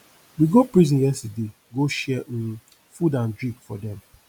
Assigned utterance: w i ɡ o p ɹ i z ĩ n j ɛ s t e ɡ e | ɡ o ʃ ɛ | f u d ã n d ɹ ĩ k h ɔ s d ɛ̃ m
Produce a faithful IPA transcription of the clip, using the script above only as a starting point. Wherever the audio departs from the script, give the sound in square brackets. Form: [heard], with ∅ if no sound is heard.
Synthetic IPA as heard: w i ɡ o p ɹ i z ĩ n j ɛ s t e [d] e | ɡ o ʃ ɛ | f u d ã n d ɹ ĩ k [f] ɔ [∅] d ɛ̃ m